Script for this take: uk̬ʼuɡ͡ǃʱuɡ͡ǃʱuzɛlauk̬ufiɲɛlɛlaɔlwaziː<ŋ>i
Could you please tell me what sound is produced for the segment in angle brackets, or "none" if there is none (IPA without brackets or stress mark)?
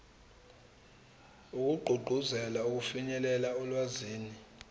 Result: n